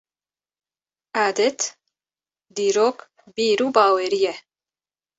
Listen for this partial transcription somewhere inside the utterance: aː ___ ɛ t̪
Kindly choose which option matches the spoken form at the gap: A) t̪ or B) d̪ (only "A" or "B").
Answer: B